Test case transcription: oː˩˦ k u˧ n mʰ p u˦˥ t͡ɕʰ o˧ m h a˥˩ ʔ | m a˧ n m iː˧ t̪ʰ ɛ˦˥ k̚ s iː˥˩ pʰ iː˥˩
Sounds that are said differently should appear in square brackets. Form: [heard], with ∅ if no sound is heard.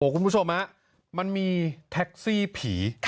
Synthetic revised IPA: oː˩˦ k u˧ n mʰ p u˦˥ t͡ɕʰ o˧ m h [a˦˥] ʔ | m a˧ n m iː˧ t̪ʰ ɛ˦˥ k̚ s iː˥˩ pʰ [iː˩˦]

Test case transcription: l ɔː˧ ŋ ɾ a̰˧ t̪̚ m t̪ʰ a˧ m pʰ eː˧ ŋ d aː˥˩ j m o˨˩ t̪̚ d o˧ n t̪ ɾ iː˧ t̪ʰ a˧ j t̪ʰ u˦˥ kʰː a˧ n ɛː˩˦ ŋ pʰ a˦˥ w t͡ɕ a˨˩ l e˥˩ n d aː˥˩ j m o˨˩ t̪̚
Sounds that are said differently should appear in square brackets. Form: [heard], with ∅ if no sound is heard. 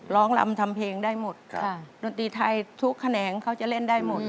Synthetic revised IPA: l [ɔː˦˥] ŋ [l] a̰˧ [∅] m t̪ʰ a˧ m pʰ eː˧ ŋ d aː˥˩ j m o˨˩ t̪̚ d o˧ n t̪ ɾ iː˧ t̪ʰ a˧ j t̪ʰ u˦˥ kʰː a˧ n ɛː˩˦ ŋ [kʰ] a˦˥ w t͡ɕ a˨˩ l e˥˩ n d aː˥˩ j m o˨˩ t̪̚

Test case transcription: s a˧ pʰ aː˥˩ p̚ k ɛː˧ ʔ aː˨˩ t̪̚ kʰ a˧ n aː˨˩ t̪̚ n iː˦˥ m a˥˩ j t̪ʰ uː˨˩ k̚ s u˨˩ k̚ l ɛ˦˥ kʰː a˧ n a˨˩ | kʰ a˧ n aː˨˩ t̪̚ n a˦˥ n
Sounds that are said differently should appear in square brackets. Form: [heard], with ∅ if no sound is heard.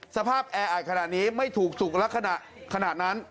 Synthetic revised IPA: s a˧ pʰ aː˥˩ p̚ [ʔ] ɛː˧ ʔ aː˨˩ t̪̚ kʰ a˧ n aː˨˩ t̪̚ n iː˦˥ m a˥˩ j t̪ʰ uː˨˩ k̚ s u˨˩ k̚ l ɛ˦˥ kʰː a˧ n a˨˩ | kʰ a˧ n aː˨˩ t̪̚ n a˦˥ n

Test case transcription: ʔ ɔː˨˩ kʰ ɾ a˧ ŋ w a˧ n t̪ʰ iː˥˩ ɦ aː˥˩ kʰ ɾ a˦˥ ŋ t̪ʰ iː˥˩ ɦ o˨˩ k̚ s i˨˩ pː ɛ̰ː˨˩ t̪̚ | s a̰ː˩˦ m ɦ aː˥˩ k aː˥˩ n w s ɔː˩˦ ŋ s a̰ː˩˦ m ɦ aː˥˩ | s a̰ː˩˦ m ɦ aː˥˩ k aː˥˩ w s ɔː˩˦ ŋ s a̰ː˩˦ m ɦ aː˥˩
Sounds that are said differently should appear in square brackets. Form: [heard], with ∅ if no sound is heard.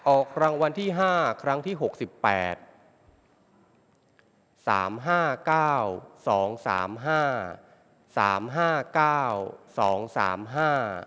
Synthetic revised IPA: ʔ ɔː˨˩ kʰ ɾ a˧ ŋ w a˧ n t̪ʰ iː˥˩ ɦ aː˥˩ kʰ ɾ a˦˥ ŋ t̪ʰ iː˥˩ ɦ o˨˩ k̚ s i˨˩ pː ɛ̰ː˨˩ t̪̚ | s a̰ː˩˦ m ɦ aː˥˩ k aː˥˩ [∅] w s ɔː˩˦ ŋ s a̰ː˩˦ m ɦ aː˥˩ | s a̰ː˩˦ m ɦ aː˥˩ k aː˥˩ w s ɔː˩˦ ŋ s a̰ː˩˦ m ɦ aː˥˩

